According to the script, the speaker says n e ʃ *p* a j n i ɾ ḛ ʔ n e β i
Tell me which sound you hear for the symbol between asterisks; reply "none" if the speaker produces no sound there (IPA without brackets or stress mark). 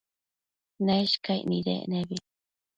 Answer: k